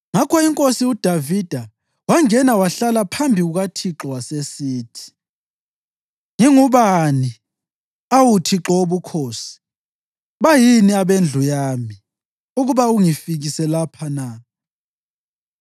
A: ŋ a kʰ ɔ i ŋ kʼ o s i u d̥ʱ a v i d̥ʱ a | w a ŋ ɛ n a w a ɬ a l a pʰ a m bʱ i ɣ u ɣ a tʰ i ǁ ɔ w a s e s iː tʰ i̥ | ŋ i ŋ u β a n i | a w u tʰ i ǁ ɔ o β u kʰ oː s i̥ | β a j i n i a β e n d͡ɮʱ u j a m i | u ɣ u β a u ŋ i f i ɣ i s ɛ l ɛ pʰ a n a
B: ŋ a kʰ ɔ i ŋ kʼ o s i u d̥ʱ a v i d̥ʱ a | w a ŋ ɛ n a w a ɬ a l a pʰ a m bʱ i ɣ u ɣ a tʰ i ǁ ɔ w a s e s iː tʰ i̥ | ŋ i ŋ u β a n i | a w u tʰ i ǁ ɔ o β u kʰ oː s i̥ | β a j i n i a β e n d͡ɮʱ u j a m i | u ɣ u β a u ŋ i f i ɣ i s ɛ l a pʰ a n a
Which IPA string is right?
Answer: B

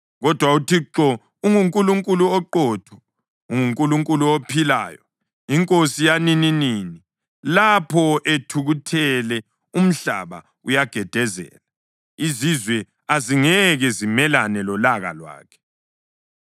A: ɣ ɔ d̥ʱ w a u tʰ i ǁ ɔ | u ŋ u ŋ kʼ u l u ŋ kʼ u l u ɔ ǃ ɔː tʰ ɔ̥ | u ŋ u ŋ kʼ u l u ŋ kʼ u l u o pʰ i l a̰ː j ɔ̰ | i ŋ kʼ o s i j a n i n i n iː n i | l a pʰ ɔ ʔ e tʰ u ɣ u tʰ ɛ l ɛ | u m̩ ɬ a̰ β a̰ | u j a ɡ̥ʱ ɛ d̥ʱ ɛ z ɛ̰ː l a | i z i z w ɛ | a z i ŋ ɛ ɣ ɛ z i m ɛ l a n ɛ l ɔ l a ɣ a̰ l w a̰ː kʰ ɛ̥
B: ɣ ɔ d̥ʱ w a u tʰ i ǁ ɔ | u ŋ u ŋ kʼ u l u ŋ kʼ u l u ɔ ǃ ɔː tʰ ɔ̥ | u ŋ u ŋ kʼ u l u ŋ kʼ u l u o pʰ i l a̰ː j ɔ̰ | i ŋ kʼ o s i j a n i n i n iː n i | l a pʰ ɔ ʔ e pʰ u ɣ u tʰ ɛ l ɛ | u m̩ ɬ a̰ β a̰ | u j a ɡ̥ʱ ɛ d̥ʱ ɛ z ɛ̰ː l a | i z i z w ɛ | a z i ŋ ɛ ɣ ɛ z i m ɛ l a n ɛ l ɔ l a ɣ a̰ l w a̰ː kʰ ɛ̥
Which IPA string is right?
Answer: A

